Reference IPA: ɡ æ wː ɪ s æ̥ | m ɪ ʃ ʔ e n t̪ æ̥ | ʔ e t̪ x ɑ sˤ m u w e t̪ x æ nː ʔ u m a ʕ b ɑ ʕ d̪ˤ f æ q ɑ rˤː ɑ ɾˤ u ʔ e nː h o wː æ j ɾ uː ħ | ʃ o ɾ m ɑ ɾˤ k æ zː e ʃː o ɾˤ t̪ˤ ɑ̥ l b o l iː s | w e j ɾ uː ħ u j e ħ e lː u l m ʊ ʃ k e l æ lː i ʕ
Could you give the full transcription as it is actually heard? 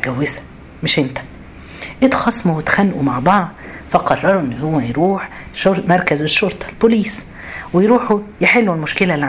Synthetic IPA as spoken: ɡ æ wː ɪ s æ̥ | m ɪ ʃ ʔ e n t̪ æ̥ | ʔ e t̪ x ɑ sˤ m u w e t̪ x æ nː ʔ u m a ʕ b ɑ ʕ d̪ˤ f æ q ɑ rˤː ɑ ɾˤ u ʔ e nː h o wː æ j ɾ uː ħ | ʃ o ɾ m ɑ ɾˤ k æ z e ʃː o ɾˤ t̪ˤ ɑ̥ l b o l iː s | w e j ɾ uː ħ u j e ħ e lː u l m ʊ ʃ k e l æ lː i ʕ